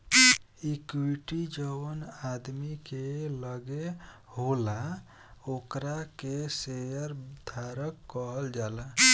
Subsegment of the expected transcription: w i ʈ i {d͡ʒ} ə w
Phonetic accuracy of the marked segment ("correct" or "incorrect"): correct